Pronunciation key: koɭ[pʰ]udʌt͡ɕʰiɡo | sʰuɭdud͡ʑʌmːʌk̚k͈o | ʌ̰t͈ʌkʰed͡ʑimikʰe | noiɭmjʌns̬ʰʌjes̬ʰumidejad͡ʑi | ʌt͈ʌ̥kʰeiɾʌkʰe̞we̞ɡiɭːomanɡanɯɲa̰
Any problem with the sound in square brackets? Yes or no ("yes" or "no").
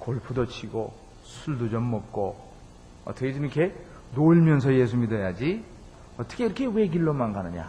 no